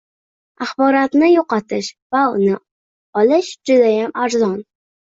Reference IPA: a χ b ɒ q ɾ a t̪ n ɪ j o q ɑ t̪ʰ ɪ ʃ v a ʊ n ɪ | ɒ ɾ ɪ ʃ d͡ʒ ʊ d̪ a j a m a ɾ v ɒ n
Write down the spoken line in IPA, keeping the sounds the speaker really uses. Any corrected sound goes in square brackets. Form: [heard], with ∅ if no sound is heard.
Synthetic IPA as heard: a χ b ɒ [∅] ɾ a t̪ n ɪ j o q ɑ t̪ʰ ɪ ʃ v a ʊ n ɪ | ɒ [l] ɪ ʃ d͡ʒ ʊ d̪ a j a m a ɾ [z] ɒ n